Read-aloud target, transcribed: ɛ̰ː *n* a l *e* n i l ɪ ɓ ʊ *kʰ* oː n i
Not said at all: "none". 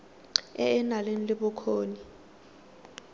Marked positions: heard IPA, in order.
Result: n, e, kʰ

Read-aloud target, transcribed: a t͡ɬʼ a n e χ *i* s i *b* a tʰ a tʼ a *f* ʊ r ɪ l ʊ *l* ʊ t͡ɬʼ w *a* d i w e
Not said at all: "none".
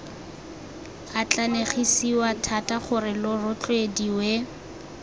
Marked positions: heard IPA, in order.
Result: i, w, χ, r, e

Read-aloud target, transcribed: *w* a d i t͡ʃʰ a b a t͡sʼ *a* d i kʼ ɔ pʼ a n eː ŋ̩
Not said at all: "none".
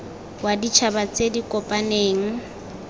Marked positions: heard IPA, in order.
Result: w, e

